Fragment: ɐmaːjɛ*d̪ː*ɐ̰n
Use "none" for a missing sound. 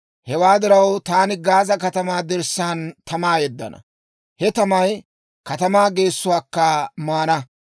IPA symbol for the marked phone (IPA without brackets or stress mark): d̪ː